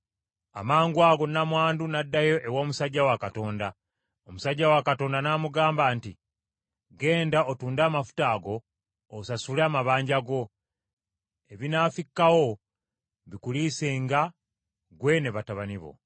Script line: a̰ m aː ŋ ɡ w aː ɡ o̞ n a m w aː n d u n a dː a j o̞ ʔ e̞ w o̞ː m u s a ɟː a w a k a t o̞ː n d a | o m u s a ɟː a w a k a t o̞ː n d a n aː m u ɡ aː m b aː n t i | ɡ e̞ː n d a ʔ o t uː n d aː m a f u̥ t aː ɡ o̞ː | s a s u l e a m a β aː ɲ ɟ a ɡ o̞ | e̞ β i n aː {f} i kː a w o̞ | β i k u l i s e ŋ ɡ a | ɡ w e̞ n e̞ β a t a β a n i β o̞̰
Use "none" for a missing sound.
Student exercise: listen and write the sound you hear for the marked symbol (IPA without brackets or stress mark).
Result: f